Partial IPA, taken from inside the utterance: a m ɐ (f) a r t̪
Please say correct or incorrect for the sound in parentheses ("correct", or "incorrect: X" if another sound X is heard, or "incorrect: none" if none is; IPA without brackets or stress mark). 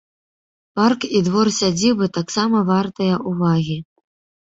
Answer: incorrect: v